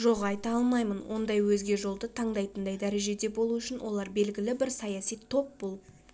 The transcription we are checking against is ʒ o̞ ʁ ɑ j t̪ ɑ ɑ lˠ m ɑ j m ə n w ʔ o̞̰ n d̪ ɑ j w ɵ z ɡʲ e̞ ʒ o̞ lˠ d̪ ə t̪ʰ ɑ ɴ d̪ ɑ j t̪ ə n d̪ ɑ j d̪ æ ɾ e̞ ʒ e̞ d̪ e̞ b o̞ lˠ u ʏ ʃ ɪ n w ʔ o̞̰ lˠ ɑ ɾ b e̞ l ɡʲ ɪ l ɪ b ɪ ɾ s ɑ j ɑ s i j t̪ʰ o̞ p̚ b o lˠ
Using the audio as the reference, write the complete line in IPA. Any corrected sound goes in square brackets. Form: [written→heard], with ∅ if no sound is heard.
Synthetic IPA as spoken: ʒ o̞ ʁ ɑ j t̪ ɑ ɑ lˠ m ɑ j m ə n w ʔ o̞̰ n d̪ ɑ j w ɵ z ɡʲ e̞ ʒ o̞ lˠ d̪ ə t̪ʰ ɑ ɴ d̪ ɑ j t̪ ə n d̪ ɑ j d̪ æ ɾ e̞ ʒ e̞ d̪ e̞ b o̞ lˠ u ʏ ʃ ɪ n w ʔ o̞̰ lˠ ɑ ɾ b e̞ l ɡʲ ɪ l ɪ b ɪ ɾ s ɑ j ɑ s i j t̪ʰ o̞ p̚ b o lˠ

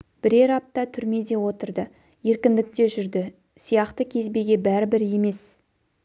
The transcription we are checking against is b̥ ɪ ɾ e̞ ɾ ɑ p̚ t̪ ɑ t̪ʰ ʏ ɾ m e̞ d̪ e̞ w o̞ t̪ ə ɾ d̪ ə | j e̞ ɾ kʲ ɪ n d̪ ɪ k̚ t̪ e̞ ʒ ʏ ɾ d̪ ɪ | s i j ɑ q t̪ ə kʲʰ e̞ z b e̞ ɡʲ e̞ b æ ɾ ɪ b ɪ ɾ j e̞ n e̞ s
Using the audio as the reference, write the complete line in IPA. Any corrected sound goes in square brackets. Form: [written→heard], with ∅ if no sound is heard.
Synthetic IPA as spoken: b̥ ɪ ɾ e̞ ɾ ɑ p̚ t̪ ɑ t̪ʰ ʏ ɾ m e̞ d̪ e̞ w o̞ t̪ ə ɾ d̪ ə | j e̞ ɾ kʲ ɪ n d̪ ɪ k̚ t̪ e̞ ʒ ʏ ɾ d̪ ɪ | s i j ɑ q t̪ ə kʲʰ e̞ z b e̞ ɡʲ e̞ b æ ɾ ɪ b ɪ ɾ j e̞ [n→m] e̞ s

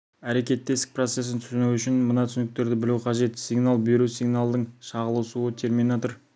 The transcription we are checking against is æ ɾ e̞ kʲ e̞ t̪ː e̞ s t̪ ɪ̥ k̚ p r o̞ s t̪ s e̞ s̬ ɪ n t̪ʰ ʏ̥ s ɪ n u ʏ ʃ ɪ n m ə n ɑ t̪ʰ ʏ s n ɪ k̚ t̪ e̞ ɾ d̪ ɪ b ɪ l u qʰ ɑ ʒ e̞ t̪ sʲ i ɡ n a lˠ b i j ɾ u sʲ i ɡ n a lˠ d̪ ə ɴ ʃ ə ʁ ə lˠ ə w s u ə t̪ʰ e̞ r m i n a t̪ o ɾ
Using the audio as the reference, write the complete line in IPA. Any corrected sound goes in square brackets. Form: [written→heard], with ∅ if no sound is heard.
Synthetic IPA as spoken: æ ɾ e̞ kʲ e̞ t̪ː e̞ s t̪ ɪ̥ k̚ p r o̞ [s→∅] t̪ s e̞ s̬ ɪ n t̪ʰ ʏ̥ s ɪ n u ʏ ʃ ɪ n m ə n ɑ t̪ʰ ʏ s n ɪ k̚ t̪ e̞ ɾ d̪ ɪ b ɪ l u qʰ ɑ ʒ e̞ t̪ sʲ i ɡ n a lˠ b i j ɾ u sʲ i ɡ n a lˠ d̪ ə ɴ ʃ [ə→ɑ] ʁ ə lˠ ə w s u ə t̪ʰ e̞ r m i n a t̪ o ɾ

